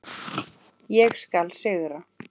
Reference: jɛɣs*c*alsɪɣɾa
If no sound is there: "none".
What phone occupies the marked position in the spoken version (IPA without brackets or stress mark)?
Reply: k